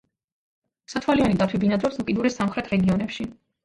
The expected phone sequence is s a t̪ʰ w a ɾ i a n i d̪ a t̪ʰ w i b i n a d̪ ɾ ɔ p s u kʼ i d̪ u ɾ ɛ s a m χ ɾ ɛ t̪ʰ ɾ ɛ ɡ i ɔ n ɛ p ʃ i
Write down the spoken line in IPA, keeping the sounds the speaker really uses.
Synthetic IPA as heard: s a t̪ʰ w a l i a n i d̪ a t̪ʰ w i b i n a d̪ ɾ ɔ p s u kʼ i d̪ u ɾ ɛ s a m χ ɾ ɛ t̪ʰ ɾ ɛ ɡ i ɔ n ɛ p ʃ i